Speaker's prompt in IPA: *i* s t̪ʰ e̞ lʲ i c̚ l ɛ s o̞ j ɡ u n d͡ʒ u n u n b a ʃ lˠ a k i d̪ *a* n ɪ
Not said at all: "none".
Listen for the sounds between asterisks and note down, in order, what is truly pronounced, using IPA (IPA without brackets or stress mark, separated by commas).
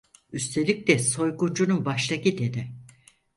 y, e